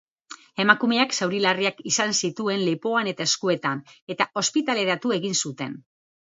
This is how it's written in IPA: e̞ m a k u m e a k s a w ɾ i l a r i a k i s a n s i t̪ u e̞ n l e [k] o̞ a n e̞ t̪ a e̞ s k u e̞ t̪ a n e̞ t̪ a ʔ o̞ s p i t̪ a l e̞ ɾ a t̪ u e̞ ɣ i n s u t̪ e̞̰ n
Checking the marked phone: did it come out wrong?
yes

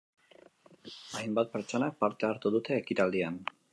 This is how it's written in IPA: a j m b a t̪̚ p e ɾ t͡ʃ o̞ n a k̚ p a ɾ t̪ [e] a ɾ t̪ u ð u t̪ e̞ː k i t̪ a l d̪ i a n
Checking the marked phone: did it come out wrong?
no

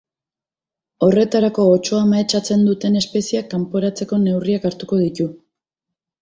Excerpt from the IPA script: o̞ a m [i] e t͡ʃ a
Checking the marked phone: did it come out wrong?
yes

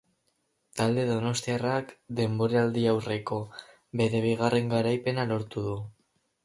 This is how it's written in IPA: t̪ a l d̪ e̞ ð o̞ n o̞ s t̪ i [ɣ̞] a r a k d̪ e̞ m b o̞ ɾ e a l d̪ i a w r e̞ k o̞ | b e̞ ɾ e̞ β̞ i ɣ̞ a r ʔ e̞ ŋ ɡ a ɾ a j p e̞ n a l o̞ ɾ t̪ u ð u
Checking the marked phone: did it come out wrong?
yes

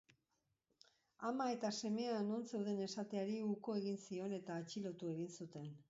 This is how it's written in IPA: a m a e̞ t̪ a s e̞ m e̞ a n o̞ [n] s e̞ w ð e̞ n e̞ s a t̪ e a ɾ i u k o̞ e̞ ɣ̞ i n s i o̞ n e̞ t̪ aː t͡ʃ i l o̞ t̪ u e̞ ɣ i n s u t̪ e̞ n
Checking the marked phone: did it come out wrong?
no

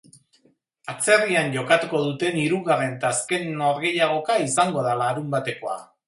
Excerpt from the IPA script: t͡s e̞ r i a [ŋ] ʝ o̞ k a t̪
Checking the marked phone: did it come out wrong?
yes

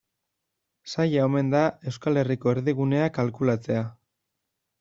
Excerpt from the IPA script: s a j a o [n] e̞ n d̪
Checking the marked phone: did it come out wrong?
yes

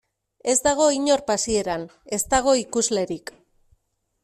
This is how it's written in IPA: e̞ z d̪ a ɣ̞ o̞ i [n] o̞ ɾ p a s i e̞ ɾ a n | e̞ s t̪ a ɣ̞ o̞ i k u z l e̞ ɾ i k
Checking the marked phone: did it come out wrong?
yes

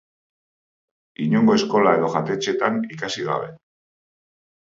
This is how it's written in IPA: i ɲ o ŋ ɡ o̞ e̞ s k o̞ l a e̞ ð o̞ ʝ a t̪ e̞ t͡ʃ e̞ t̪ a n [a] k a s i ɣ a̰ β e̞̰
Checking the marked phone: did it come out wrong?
yes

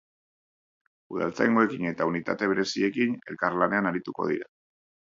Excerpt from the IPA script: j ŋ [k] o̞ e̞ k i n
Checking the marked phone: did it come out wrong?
yes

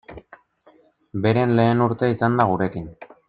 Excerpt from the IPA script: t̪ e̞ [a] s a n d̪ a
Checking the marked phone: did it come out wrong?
yes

